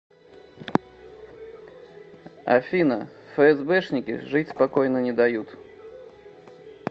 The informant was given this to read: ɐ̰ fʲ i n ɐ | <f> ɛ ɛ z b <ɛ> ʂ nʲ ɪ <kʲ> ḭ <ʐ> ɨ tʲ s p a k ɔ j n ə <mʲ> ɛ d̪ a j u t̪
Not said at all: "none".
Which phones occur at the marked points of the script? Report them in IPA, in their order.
f, ɛ, kʲ, ʐ, nʲ

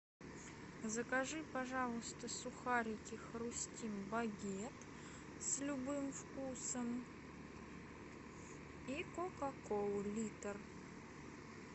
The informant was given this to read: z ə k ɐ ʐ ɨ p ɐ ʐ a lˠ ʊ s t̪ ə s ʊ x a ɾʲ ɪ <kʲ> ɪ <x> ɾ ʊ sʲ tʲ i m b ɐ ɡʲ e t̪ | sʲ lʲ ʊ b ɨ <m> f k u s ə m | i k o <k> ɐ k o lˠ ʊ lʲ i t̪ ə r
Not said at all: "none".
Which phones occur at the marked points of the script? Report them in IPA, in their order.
kʲ, x, m, k

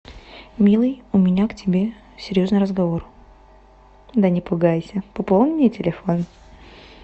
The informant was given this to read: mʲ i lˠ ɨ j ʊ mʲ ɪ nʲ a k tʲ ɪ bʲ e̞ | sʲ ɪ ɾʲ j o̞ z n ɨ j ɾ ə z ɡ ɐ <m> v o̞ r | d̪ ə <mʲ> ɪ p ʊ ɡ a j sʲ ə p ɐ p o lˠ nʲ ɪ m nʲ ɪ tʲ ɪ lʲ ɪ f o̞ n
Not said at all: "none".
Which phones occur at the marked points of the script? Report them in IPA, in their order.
none, nʲ

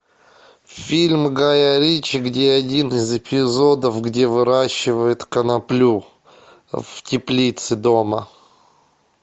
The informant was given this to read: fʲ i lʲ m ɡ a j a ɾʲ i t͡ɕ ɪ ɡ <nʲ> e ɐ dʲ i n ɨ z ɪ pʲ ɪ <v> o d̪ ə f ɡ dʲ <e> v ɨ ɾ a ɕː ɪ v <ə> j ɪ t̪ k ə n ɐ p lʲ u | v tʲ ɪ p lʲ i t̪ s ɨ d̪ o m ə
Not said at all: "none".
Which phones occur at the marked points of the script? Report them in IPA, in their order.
dʲ, z, e, ə

